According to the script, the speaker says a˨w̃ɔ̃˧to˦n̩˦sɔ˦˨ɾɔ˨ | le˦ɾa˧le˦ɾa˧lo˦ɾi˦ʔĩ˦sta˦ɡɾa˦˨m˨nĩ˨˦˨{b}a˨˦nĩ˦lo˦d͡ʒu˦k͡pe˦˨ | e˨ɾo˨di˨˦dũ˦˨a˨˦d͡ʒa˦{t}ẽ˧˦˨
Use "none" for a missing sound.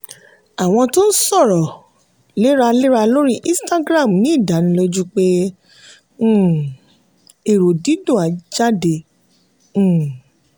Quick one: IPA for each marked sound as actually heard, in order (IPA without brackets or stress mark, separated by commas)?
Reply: d, d